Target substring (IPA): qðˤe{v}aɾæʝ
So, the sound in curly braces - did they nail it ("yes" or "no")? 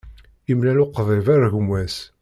yes